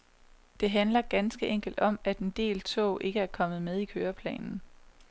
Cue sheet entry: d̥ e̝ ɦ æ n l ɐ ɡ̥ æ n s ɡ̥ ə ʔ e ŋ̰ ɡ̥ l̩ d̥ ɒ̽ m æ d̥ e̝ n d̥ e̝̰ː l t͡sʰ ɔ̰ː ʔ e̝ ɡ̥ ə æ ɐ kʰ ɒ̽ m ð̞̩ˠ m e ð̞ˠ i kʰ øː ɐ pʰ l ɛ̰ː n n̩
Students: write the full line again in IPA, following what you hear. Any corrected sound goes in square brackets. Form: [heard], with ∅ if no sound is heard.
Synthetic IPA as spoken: d̥ e̝ ɦ æ n l ɐ ɡ̥ æ n s ɡ̥ ə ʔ e ŋ̰ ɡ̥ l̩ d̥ ɒ̽ m æ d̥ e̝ n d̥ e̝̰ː l t͡sʰ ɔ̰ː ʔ e̝ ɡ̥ ə æ ɐ kʰ ɒ̽ m ð̞̩ˠ m e ð̞ˠ i kʰ øː ɐ pʰ l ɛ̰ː n n̩